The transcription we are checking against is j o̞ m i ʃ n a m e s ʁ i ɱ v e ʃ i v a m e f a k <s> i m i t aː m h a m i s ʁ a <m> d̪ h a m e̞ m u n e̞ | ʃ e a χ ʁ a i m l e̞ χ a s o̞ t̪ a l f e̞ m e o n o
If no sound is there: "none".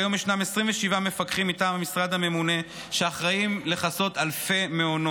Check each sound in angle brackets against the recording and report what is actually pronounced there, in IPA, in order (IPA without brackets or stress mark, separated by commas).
χ, none